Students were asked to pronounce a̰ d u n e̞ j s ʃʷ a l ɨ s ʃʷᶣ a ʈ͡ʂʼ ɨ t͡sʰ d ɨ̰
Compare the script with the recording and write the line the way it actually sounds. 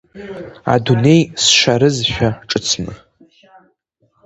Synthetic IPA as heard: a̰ d u n e̞ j s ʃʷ a ɾ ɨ z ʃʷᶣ a ʈ͡ʂʼ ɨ t͡sʰ n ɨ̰